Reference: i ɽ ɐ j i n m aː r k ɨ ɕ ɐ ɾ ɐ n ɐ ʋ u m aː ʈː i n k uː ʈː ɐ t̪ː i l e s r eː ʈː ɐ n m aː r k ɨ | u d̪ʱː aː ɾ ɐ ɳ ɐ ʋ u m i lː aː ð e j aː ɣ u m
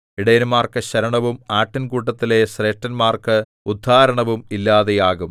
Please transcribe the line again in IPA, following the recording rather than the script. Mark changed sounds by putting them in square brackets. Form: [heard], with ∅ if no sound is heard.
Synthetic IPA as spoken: i ɽ ɐ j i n m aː r k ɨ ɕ ɐ ɾ ɐ [ɳ] ɐ ʋ u m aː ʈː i n k uː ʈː ɐ t̪ː i l e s r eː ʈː ɐ n m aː r k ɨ | u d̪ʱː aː ɾ ɐ ɳ ɐ ʋ u m i lː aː ð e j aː ɣ u m